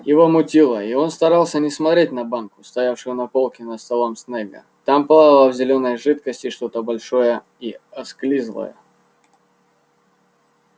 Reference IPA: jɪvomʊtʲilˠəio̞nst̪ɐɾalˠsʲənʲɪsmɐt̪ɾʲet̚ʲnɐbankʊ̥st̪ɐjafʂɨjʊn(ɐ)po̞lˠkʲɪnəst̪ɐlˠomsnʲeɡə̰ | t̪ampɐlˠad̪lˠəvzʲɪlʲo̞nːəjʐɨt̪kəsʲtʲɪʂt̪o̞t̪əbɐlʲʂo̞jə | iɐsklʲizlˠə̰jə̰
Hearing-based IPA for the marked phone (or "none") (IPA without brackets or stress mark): ɐ